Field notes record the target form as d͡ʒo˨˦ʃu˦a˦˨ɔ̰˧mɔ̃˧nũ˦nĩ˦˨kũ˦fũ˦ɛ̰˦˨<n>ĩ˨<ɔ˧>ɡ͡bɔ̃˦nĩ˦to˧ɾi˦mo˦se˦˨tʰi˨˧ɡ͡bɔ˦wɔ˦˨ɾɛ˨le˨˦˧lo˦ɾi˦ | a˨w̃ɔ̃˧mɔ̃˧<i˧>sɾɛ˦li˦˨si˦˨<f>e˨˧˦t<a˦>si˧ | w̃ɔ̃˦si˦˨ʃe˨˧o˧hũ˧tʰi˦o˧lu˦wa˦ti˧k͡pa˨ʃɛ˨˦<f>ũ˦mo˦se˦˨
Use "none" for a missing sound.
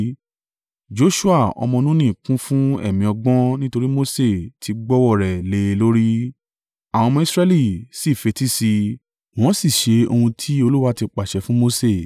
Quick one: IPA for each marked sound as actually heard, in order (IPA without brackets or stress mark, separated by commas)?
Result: m, ɔ˧, i˧, f, i˦, f